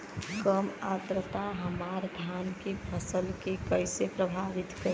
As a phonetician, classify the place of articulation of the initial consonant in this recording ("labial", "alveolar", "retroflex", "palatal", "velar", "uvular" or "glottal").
velar